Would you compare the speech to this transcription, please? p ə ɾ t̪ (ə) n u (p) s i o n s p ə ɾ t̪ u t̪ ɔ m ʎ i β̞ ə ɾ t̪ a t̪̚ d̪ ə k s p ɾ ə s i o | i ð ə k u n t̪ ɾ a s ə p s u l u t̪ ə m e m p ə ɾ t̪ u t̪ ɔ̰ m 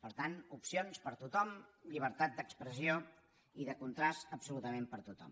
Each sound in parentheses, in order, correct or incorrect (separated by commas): incorrect, correct